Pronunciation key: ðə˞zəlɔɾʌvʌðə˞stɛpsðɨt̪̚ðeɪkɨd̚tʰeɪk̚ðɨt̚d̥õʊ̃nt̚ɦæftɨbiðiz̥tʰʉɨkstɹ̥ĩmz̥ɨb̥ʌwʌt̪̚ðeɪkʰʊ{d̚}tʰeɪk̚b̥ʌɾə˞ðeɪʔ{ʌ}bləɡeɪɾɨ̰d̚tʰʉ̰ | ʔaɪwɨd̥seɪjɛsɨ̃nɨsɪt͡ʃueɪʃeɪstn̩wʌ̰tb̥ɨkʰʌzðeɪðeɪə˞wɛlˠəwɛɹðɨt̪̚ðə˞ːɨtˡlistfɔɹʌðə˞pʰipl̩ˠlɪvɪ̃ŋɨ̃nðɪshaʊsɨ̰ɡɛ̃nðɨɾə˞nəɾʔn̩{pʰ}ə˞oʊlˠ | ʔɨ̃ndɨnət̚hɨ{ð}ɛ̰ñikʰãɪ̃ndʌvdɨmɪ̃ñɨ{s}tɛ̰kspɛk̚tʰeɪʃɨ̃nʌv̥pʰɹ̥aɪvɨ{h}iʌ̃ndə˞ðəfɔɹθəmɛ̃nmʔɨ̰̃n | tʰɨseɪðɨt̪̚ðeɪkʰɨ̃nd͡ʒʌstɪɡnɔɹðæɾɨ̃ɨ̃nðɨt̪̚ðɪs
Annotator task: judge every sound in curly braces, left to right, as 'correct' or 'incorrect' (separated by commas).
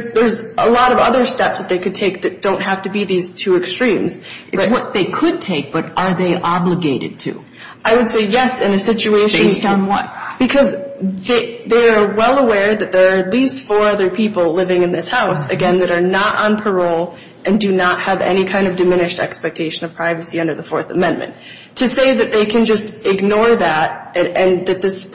correct, incorrect, correct, incorrect, incorrect, incorrect